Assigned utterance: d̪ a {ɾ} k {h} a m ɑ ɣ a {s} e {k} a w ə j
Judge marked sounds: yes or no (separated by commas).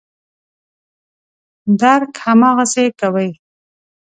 yes, yes, yes, yes